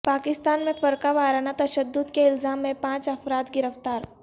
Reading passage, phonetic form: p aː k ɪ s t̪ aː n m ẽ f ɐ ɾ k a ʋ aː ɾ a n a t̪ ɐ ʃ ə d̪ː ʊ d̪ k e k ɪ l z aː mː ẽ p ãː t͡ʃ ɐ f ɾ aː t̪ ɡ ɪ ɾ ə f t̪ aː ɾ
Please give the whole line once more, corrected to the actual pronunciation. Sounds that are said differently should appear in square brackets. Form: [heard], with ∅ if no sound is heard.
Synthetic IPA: p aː k ɪ s t̪ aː n m ẽ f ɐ ɾ k a ʋ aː ɾ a n a t̪ ɐ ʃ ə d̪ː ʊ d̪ k e [∅] ɪ l z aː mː ẽ p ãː t͡ʃ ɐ f ɾ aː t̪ ɡ ɪ ɾ ə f t̪ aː ɾ